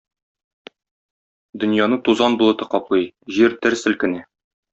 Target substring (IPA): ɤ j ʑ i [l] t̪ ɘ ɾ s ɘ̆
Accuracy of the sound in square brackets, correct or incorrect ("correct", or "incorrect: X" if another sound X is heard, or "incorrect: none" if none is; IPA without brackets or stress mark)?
incorrect: ɾ